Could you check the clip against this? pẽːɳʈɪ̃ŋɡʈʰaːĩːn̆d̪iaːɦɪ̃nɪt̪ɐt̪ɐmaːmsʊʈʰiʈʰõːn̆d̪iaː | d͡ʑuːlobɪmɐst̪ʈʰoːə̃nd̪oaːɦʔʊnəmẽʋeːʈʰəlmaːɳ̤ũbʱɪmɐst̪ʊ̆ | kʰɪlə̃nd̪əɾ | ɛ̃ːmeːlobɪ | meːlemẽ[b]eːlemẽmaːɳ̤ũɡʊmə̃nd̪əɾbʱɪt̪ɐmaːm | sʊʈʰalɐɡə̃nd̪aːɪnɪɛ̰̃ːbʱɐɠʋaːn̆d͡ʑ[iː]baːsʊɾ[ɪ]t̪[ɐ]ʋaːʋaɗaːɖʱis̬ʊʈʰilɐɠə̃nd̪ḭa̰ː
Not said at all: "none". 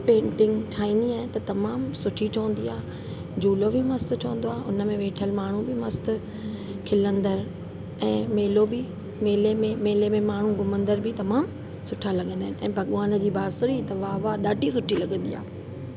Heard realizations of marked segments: m, iː, i, ɐ

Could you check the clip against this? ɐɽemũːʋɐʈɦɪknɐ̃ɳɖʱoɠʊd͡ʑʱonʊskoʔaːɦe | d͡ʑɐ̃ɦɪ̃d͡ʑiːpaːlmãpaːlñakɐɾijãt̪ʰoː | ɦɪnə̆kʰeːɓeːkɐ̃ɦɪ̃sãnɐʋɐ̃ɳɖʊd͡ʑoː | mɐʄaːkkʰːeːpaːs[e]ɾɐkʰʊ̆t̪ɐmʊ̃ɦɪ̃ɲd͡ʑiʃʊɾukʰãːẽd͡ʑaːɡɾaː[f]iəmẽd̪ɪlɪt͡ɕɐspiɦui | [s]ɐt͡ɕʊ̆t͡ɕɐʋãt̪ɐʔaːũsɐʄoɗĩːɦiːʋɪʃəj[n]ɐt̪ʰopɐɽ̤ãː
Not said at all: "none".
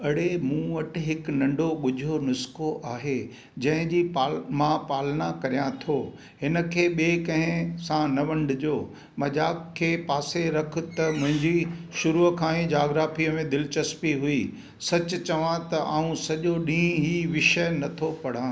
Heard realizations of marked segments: e, f, s, n

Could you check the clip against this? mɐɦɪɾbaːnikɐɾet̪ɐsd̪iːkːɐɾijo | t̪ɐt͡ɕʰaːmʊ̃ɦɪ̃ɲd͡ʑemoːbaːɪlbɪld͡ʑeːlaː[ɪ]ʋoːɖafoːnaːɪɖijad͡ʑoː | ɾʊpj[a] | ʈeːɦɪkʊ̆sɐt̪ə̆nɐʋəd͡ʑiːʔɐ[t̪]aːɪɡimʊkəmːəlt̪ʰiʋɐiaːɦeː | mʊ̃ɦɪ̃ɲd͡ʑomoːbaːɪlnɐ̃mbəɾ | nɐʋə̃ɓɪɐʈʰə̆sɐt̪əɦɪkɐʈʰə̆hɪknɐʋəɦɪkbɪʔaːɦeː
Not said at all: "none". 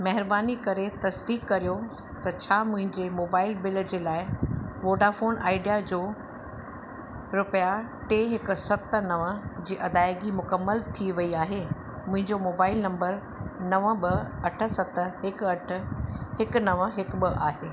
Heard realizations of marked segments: ɪ, a, d̪

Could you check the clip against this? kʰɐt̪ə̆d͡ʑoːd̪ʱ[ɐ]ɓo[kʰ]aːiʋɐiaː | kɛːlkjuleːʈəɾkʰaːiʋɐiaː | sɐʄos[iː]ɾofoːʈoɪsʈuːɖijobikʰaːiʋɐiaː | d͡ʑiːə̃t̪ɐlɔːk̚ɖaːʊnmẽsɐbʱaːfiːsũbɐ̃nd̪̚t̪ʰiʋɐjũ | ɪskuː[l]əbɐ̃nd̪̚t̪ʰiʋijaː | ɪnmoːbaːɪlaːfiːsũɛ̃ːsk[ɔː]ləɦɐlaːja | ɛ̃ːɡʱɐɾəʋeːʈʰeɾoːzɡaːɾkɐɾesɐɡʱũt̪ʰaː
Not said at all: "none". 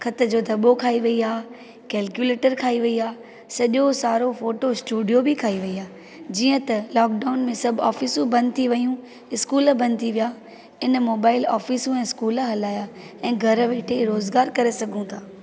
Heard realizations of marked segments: ɐ, kʰ, aː, l, uː

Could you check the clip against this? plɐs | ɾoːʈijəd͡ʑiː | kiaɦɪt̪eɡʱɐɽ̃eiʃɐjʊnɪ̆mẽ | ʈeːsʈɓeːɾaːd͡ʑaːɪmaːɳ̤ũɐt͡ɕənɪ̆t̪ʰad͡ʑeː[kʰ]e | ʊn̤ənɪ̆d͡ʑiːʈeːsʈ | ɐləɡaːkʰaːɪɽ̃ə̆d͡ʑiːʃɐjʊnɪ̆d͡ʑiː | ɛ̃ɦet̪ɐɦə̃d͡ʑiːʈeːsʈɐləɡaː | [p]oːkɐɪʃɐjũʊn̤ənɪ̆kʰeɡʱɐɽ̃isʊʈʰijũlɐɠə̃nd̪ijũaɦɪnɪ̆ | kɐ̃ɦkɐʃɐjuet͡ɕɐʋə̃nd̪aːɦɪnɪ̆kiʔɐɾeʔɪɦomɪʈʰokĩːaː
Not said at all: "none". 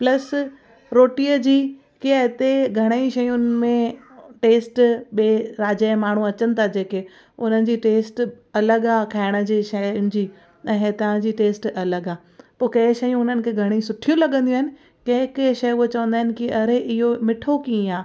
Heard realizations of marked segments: k, p

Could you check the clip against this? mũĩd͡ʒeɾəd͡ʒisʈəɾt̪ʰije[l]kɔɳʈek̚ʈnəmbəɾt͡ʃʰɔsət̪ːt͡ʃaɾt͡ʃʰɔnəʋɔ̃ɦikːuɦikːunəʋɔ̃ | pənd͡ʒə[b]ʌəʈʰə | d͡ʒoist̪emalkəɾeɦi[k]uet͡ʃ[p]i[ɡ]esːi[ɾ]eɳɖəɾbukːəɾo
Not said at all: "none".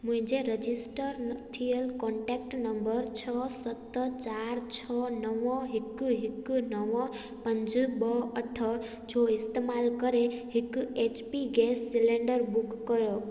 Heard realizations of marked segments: l, b, k, p, ɡ, l

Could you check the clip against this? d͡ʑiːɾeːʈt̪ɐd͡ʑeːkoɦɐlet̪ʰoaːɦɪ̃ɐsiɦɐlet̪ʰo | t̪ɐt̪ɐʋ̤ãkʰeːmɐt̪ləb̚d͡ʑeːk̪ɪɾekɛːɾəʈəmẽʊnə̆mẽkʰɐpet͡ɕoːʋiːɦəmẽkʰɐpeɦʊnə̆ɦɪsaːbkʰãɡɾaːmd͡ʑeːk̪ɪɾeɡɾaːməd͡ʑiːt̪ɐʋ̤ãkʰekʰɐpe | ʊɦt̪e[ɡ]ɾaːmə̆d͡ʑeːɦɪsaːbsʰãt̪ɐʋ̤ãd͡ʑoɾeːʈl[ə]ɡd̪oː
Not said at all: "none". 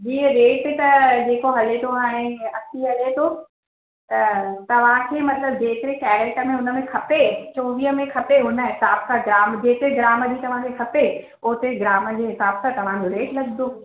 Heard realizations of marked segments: ɡ, ɐ

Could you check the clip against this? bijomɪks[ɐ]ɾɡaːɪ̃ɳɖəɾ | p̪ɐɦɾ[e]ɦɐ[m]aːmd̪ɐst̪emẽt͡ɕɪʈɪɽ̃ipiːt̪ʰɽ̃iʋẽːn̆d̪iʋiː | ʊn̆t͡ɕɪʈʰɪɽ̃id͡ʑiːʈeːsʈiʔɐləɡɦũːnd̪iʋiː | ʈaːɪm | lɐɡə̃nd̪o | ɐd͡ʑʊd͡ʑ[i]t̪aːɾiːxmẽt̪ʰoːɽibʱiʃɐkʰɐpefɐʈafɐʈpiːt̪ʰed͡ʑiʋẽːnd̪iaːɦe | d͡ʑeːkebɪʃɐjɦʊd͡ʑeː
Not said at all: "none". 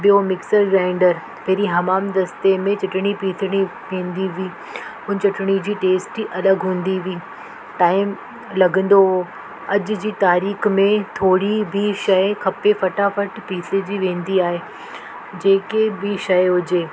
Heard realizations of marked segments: ə, i, m, iː

